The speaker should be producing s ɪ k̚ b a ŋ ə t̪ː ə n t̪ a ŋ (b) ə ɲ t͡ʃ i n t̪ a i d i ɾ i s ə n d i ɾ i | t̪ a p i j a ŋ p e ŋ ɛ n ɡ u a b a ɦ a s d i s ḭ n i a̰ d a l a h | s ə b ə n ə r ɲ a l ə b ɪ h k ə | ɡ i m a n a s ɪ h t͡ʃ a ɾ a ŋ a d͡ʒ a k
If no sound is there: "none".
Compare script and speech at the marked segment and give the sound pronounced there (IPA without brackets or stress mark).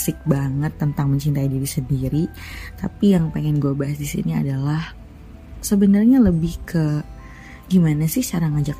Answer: m